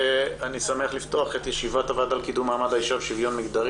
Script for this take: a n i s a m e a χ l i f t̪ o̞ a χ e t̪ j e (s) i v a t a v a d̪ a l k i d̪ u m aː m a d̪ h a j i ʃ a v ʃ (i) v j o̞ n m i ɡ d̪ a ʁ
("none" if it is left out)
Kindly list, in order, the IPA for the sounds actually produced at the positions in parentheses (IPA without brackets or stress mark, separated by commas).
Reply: ʃ, i